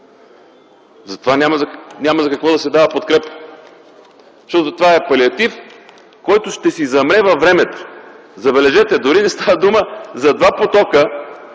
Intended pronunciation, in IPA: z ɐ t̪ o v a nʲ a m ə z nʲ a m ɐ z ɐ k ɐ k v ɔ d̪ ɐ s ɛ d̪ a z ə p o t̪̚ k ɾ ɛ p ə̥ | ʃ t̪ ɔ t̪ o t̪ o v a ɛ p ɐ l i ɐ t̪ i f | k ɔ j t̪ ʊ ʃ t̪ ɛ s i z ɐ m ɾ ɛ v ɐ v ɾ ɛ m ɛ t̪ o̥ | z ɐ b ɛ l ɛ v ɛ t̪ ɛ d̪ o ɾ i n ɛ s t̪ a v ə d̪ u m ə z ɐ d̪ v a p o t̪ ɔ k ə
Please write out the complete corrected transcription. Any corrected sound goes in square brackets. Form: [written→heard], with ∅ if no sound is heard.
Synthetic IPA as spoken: z ɐ t̪ o v a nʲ a m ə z nʲ a m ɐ z ɐ k ɐ k v ɔ d̪ ɐ s ɛ d̪ a [z→v] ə p o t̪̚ k ɾ ɛ p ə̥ | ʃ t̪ ɔ t̪ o t̪ o v a ɛ p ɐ l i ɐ t̪ i f | k ɔ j t̪ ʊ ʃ t̪ ɛ s i z ɐ m ɾ ɛ v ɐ v ɾ ɛ m ɛ t̪ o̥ | z ɐ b ɛ l ɛ [v→ʒ] ɛ t̪ ɛ d̪ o ɾ i n ɛ s t̪ a v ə d̪ u m ə z ɐ d̪ v a p o t̪ ɔ k ə